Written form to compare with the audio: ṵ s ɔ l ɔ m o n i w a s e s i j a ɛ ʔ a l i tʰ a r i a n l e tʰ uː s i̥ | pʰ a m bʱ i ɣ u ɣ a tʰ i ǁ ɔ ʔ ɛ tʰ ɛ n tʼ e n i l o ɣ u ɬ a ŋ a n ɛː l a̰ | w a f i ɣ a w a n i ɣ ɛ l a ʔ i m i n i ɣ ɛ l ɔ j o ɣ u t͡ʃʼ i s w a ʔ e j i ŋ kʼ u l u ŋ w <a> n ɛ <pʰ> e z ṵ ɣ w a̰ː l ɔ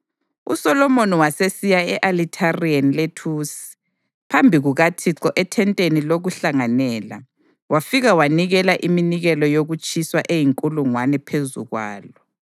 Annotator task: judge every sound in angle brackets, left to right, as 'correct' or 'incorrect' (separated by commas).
correct, correct